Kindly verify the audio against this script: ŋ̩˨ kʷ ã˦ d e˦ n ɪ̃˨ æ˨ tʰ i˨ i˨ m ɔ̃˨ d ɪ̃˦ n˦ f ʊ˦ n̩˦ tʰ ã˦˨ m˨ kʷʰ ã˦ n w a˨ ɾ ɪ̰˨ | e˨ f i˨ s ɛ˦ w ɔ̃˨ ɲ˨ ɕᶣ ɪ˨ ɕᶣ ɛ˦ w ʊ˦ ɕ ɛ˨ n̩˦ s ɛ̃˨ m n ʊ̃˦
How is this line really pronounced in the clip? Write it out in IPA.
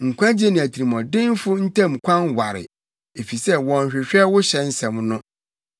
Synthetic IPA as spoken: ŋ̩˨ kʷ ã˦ d͡ʑ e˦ n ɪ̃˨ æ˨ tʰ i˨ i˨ m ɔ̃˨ d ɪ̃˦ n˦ f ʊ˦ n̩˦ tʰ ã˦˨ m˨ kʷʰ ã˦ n w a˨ ɾ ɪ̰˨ | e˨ f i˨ s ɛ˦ w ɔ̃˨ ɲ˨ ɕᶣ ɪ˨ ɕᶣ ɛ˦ w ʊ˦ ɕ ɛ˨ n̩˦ s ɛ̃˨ m n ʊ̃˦